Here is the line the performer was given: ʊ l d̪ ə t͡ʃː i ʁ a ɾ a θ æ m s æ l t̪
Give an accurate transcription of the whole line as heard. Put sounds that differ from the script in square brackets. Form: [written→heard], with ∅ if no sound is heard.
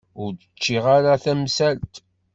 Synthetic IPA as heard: ʊ [l→ɾ] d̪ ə t͡ʃː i ʁ a ɾ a θ æ m s æ l t̪